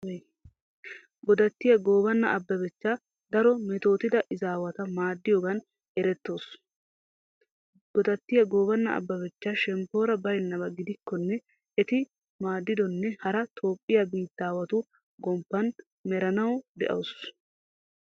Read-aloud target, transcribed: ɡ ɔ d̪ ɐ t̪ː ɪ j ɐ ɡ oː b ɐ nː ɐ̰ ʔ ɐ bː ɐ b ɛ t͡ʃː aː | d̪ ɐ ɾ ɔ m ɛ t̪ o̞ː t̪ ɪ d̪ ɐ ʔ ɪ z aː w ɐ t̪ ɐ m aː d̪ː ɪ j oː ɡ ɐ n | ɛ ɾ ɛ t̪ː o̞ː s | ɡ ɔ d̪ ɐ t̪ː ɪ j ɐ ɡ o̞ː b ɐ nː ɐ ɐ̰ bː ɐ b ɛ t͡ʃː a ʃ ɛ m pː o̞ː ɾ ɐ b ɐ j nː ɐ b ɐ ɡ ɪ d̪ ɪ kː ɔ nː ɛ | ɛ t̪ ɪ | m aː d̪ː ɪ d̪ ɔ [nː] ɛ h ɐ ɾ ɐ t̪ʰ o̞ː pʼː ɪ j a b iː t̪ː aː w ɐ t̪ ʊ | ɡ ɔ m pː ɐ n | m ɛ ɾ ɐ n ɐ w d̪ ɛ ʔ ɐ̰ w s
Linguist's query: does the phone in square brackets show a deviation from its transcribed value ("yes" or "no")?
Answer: no